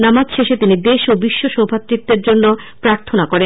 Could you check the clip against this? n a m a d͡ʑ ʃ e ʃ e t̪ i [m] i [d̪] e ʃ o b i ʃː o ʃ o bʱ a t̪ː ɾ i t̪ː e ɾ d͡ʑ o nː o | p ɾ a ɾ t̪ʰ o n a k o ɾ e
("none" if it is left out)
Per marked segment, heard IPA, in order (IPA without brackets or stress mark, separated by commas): n, d̪